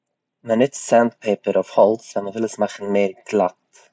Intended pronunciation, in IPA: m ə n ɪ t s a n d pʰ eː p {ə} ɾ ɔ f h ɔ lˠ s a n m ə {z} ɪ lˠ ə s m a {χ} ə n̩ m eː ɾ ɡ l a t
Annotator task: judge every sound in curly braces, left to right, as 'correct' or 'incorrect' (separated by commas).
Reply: correct, incorrect, correct